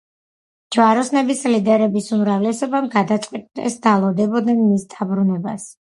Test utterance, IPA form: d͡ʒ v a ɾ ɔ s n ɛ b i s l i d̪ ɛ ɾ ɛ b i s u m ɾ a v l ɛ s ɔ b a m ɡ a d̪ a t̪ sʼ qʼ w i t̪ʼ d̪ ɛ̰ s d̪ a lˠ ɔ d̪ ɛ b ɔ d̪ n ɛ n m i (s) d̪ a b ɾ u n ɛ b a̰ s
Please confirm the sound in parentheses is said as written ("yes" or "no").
yes